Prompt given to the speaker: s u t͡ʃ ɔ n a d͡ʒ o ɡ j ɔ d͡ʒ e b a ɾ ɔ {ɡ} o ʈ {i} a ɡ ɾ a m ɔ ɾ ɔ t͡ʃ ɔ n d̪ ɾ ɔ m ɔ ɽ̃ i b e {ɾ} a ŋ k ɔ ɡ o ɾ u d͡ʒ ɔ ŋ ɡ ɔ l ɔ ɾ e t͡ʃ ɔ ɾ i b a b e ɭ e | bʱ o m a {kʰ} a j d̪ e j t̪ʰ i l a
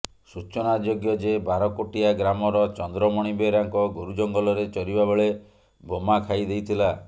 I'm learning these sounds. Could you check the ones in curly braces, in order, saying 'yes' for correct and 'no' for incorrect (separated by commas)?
no, yes, yes, yes